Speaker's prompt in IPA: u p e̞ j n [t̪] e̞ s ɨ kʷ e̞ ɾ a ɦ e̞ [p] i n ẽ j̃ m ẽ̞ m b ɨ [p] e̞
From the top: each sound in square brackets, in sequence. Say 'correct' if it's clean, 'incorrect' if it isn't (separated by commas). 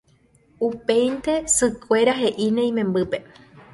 correct, incorrect, correct